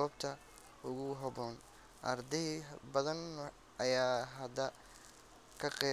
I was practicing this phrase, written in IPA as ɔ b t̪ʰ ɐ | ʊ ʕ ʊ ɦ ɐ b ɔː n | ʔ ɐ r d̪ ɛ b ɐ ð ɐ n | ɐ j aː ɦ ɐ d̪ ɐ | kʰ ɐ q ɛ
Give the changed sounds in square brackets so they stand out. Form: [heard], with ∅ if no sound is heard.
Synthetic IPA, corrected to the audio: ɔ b t̪ʰ ɐ | ʊ [ɣ] ʊ ɦ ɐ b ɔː n | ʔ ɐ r d̪ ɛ b ɐ ð ɐ n | ɐ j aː ɦ ɐ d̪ ɐ | kʰ ɐ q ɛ